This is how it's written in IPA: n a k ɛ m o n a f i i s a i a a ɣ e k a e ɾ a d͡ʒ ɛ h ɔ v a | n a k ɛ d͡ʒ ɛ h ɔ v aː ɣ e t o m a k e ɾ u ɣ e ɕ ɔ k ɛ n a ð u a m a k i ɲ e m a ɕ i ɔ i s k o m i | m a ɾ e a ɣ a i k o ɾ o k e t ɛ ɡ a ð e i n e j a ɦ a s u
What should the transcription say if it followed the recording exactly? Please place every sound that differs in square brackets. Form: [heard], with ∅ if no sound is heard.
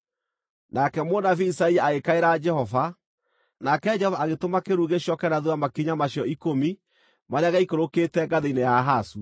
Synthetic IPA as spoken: n a k ɛ m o n a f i i s a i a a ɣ e k a e ɾ a d͡ʒ ɛ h ɔ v a | n a k ɛ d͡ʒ ɛ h ɔ v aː ɣ e t o m a k e ɾ u ɣ e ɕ ɔ k ɛ n a ð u a m a k i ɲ [a] m a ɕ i ɔ i [∅] k o m i | m a ɾ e a ɣ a i k o ɾ o k e t ɛ ɡ a ð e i n e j a ɦ a s u